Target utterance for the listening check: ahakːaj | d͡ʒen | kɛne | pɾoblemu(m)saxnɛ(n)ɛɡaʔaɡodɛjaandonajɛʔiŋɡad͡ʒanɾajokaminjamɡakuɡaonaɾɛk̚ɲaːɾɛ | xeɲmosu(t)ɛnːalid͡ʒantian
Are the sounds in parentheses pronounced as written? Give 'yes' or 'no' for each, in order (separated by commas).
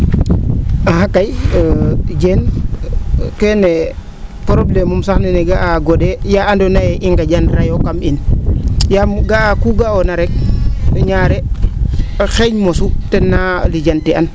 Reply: yes, yes, yes